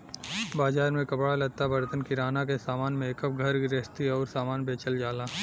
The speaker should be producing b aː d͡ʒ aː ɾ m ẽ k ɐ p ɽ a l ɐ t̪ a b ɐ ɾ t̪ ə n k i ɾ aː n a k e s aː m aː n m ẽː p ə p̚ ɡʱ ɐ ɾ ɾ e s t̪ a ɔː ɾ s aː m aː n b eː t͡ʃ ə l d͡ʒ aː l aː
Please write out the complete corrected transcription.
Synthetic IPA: b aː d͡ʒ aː ɾ m ẽ k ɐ p ɽ a l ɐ t̪ a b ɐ ɾ t̪ ə n k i ɾ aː n a k e s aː m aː n m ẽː k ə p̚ ɡʱ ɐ ɾ ɾ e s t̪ i ɔː ɾ s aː m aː n b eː t͡ʃ ə l d͡ʒ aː l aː